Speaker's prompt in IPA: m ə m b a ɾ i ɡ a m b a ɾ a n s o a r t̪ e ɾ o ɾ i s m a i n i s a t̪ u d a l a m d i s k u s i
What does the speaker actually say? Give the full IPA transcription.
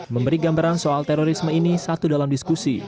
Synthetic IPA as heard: m ə m b ə ɾ i ɡ a m b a ɾ a n s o a l t̪ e ɾ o ɾ i s m ə i n i s a t̪ u d a l a m d i s k u s i